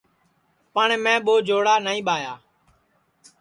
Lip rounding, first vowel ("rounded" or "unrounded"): unrounded